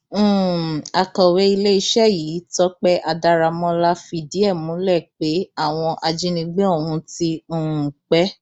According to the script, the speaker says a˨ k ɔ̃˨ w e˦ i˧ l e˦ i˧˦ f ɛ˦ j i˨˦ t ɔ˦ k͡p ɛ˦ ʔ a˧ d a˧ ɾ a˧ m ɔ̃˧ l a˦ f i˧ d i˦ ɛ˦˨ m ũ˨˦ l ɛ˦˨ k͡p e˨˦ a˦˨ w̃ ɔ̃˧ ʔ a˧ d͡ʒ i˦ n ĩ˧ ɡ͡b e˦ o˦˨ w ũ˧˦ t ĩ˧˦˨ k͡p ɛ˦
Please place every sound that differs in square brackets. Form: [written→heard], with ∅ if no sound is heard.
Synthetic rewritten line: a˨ k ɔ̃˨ w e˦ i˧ l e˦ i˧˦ [f→ʃ] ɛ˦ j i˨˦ t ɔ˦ k͡p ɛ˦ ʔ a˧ d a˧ ɾ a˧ m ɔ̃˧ l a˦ f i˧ d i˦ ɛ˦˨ m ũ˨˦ l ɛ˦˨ k͡p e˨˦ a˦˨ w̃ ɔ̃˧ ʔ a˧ d͡ʒ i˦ n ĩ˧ ɡ͡b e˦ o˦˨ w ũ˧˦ t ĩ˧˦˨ k͡p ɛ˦